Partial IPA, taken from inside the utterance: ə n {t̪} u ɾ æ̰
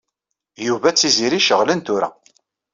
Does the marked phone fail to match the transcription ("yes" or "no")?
no